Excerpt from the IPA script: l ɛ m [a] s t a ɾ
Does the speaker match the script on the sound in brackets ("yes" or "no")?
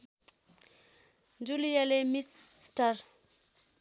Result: no